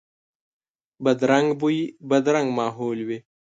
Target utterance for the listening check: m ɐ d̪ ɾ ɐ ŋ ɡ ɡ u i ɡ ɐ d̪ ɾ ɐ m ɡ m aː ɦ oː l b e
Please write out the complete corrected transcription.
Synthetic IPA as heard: b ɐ d̪ ɾ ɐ ŋ ɡ b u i b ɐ d̪ ɾ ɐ ŋ ɡ m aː ɦ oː l w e